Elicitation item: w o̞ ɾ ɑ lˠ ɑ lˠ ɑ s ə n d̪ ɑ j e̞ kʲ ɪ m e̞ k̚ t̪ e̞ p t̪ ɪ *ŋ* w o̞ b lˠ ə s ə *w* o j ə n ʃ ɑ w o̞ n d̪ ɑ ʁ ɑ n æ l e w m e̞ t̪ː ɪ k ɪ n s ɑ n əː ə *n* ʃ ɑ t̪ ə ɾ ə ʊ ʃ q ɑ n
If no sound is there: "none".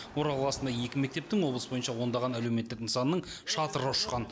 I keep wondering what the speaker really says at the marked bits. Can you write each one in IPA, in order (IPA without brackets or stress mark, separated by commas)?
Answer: ŋ, b, ɴ